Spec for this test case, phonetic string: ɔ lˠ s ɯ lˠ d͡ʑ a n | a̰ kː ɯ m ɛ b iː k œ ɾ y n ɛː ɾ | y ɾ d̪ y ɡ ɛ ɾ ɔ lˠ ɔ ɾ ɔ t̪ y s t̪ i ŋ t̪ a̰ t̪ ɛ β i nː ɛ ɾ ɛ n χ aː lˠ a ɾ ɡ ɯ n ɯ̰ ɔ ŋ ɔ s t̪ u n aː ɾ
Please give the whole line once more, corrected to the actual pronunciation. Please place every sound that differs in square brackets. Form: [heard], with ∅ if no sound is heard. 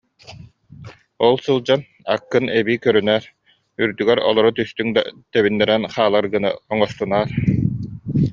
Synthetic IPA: ɔ lˠ s ɯ lˠ d͡ʑ a n | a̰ kː ɯ [n] ɛ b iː k œ ɾ y n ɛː ɾ | y ɾ d̪ y ɡ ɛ ɾ ɔ lˠ ɔ ɾ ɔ t̪ y s t̪ [y] ŋ [d̪] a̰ t̪ ɛ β i nː ɛ ɾ ɛ n χ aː lˠ a ɾ ɡ ɯ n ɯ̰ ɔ ŋ ɔ s t̪ u n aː ɾ